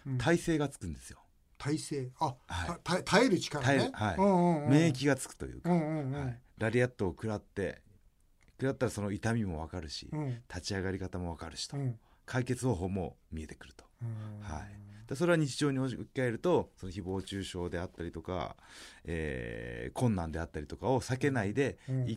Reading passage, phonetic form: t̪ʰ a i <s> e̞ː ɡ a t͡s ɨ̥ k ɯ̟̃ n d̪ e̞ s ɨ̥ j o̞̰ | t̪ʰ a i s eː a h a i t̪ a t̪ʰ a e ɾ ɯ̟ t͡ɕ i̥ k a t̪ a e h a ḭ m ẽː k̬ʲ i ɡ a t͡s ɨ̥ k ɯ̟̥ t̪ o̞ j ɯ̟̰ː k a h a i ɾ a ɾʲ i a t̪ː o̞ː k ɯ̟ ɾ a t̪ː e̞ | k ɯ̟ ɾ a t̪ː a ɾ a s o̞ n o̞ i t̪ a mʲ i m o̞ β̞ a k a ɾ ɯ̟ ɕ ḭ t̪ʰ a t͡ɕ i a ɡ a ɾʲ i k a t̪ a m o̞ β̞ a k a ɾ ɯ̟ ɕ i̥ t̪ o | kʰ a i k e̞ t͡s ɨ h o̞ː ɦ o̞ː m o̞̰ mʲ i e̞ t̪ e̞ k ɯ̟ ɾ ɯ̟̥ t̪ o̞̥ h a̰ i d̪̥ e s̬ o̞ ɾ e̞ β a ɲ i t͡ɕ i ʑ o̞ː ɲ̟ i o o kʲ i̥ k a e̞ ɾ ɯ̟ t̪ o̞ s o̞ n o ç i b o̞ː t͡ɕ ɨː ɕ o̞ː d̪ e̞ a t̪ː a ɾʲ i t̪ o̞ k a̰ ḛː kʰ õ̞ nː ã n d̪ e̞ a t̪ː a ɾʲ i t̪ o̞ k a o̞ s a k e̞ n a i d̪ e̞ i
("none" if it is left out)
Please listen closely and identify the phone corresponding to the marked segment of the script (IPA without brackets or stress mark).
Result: s